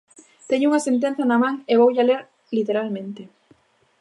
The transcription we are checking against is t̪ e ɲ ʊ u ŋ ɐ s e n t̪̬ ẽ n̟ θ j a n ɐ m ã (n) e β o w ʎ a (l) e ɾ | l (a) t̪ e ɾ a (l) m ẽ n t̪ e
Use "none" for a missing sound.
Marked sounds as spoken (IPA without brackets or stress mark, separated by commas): ŋ, l, i, l